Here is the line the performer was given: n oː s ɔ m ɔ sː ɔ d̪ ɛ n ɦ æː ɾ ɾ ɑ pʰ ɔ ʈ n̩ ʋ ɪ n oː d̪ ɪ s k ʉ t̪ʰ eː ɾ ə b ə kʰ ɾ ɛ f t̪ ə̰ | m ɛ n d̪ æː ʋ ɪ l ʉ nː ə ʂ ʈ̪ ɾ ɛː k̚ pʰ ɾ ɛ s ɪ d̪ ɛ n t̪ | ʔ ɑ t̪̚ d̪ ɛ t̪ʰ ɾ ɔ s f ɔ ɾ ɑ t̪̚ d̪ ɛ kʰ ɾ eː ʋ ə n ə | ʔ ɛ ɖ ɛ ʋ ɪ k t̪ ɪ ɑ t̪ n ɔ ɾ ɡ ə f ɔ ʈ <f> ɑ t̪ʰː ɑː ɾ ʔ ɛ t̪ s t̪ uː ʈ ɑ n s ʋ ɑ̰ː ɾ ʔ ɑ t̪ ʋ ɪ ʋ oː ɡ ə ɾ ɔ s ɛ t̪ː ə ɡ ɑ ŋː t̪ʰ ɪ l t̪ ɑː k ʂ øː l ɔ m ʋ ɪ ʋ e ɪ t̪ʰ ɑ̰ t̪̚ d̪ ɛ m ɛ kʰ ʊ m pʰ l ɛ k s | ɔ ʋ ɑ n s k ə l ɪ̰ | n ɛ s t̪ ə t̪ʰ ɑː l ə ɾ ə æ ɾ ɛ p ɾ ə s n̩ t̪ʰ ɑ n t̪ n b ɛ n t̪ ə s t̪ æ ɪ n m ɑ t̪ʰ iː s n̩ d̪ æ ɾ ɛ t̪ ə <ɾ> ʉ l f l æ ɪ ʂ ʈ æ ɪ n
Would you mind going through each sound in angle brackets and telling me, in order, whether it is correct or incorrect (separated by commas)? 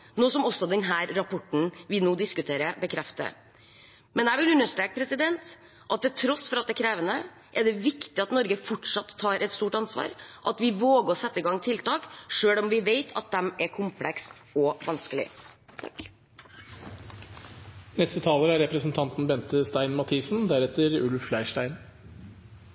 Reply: incorrect, correct